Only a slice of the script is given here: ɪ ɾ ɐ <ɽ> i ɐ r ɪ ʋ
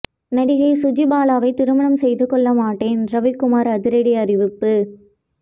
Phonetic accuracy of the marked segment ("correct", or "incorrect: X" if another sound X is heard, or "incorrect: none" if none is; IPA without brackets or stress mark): correct